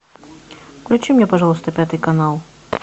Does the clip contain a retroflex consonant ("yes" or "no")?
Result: yes